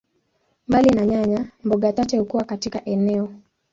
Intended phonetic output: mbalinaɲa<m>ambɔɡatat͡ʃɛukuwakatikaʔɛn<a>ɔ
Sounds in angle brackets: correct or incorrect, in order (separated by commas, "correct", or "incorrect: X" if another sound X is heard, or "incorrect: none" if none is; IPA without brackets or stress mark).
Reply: incorrect: ɲ, incorrect: ɛ